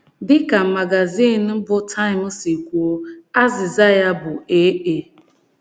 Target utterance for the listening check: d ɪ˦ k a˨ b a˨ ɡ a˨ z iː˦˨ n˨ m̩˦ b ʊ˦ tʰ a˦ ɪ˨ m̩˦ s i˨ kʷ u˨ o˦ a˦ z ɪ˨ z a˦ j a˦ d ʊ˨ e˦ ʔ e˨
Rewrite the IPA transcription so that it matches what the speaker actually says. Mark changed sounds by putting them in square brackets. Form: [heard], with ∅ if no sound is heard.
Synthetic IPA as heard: d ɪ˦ k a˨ [m] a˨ ɡ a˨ z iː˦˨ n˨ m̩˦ b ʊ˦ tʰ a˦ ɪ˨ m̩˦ s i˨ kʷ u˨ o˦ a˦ z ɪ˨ z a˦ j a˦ [b] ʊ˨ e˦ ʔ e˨

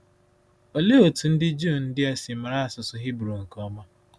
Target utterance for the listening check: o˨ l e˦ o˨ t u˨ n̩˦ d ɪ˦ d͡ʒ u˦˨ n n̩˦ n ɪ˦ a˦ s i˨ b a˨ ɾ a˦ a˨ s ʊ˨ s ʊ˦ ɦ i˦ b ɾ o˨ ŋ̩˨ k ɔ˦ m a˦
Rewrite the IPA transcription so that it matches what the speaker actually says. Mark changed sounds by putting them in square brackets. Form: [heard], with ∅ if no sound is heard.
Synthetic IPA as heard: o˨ l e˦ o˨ t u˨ n̩˦ d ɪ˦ d͡ʒ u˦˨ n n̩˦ [d] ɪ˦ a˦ s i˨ [m] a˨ ɾ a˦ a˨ s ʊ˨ s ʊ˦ ɦ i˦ b ɾ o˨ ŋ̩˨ k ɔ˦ m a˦

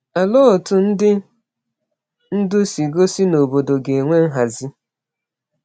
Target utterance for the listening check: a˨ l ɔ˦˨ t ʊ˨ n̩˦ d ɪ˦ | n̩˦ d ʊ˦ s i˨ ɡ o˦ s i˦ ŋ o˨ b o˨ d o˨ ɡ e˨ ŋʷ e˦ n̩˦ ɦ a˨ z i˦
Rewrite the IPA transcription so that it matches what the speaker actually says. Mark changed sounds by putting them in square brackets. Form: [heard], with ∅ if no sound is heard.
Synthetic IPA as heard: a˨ l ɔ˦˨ t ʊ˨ n̩˦ d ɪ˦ | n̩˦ d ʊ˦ s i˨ ɡ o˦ s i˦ [n] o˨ b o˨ d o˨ ɡ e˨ ŋʷ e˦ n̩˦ ɦ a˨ z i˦

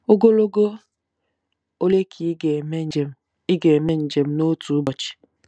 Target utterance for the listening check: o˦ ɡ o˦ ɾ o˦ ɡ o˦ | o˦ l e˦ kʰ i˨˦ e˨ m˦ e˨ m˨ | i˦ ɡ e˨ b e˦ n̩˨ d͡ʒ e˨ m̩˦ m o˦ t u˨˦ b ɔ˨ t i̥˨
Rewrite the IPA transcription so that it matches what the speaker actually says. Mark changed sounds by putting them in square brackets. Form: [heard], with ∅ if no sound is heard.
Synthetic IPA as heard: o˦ ɡ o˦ [l] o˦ ɡ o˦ | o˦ l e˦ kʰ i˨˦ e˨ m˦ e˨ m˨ | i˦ ɡ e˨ [m] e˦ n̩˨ d͡ʒ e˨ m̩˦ [n] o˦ t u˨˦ b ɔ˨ [t͡ʃ] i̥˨

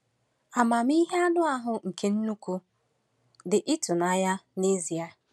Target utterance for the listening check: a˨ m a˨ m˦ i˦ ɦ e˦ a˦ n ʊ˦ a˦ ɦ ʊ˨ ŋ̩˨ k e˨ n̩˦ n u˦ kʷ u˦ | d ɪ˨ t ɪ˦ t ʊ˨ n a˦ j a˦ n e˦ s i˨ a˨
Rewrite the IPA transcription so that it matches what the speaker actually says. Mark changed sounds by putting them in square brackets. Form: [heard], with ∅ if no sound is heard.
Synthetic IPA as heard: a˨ m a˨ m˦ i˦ ɦ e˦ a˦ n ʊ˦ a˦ ɦ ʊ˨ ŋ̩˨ k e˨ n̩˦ n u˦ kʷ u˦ | d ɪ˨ [ʔ] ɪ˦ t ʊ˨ n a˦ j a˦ n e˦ [z] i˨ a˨

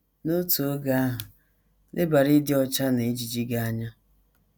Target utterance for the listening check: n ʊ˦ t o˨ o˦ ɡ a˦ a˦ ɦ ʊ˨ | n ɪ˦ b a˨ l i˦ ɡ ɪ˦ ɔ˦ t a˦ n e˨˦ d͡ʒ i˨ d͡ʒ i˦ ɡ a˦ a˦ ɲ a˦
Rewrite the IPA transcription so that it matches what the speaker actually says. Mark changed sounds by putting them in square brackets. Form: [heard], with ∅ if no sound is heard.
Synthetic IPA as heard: n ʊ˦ t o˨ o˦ ɡ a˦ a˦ ɦ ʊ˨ | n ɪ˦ b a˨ [ɾ] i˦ [d] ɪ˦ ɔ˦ [t͡ʃ] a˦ n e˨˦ d͡ʒ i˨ d͡ʒ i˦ ɡ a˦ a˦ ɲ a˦

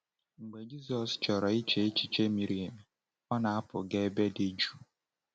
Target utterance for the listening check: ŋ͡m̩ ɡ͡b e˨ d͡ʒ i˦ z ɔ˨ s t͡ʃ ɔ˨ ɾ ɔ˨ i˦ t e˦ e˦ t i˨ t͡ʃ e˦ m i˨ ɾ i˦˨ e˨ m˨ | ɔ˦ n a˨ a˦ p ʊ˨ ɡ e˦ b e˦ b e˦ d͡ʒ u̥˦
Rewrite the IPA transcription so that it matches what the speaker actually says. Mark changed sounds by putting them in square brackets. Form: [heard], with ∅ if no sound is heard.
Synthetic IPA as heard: ŋ͡m̩ ɡ͡b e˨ d͡ʒ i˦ z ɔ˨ s t͡ʃ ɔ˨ ɾ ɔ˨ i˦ [t͡ʃ] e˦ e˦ [t͡ʃ] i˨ t͡ʃ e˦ m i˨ ɾ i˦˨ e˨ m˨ | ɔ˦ n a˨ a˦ p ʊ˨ ɡ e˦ b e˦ [d] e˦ d͡ʒ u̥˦

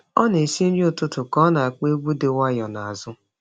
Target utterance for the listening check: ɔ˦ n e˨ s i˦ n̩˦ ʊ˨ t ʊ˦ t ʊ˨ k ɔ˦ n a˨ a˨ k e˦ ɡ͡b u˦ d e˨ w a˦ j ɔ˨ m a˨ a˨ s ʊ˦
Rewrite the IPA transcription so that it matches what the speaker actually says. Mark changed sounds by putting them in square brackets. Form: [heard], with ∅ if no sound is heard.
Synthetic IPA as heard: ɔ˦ n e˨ s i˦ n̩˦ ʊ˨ t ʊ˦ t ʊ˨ k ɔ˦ n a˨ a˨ [k͡p] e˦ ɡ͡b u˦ d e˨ w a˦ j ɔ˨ [n] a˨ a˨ [z] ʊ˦

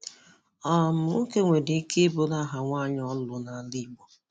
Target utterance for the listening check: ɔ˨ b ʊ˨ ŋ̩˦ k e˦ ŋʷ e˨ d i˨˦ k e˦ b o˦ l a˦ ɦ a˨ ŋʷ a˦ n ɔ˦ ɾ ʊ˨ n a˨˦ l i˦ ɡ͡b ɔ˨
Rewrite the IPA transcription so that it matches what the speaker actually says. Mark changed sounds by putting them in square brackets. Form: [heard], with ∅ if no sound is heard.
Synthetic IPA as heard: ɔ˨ [m] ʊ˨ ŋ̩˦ k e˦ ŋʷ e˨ d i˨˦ k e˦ b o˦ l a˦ ɦ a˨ ŋʷ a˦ [ɲ] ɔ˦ [l] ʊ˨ n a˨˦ l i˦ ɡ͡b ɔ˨

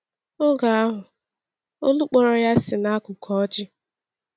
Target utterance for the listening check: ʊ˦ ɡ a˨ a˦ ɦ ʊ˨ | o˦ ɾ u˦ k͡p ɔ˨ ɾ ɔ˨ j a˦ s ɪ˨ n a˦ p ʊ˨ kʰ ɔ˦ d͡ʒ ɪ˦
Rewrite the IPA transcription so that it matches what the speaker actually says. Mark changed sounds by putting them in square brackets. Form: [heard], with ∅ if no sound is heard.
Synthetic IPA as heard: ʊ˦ ɡ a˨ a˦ ɦ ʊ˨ | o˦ [l] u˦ k͡p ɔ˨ ɾ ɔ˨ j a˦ s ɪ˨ n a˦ [k] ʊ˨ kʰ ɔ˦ d͡ʒ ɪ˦

